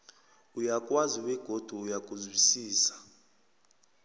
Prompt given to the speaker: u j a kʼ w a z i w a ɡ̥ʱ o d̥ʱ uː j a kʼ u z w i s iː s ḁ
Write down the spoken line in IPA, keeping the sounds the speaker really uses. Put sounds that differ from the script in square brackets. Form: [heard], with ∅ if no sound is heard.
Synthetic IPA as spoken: u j a kʼ w a z i w [ɛ] ɡ̥ʱ o d̥ʱ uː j a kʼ u z w i s iː s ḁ

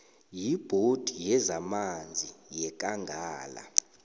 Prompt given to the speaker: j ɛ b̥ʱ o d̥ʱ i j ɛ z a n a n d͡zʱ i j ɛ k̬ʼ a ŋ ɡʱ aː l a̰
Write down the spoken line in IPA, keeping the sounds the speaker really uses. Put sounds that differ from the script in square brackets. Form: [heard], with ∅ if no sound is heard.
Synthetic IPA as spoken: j [i] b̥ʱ o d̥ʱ i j ɛ z a [m] a n d͡zʱ i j ɛ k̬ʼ a ŋ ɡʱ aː l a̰

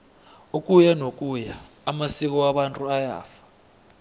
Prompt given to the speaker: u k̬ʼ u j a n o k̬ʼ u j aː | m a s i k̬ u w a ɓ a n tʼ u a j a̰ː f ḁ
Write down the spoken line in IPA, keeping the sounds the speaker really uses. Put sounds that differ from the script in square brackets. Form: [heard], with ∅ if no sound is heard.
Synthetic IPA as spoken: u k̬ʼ u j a n o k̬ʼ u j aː | m a s i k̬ [ɔ] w a ɓ a n tʼ u a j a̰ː f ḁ

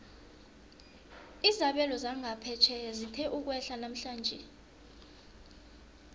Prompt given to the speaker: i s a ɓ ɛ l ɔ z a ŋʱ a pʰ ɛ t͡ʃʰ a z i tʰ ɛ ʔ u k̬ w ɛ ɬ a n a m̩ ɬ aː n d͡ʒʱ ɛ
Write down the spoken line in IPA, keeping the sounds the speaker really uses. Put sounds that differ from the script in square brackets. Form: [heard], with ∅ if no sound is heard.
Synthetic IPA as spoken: i [z] a ɓ ɛ l ɔ z a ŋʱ a pʰ ɛ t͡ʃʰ [ɛ] z i tʰ ɛ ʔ u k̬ w ɛ ɬ a n a m̩ ɬ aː n d͡ʒʱ ɛ

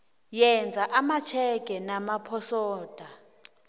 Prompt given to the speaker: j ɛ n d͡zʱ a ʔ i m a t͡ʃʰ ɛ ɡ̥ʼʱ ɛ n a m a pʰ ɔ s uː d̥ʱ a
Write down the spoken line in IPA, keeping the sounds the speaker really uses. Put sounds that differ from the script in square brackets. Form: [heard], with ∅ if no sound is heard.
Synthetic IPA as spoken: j ɛ n d͡zʱ a ʔ [a] m a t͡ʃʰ ɛ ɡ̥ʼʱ ɛ n a m a pʰ ɔ s [ɔː] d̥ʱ a

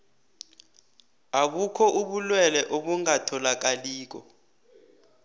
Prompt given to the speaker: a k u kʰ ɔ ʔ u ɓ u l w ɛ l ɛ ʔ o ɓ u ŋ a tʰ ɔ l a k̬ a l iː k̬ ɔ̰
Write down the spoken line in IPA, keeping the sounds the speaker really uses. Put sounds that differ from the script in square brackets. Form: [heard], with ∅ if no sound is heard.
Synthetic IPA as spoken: a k u kʰ ɔ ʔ u ɓ u l w ɛ l ɛ ʔ o ɓ u ŋ a tʰ ɔ l a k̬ a l iː k̬ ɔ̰

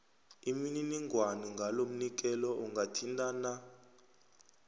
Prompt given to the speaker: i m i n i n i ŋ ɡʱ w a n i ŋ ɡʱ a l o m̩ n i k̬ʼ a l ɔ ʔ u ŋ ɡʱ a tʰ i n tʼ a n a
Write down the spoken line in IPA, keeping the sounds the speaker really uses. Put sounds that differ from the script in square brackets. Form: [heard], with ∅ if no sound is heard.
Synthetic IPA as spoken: i m i n i n i ŋ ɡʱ w a n i ŋ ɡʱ a l o m̩ n i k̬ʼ [ɛ] l ɔ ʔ u ŋ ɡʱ a tʰ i n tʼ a n a

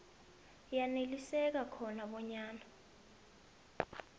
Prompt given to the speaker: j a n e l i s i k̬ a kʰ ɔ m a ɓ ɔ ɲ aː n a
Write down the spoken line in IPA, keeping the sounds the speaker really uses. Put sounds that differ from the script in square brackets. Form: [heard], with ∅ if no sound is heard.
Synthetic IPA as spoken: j a n e l i s [ɛ] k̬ a kʰ ɔ [n] a ɓ ɔ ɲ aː n a

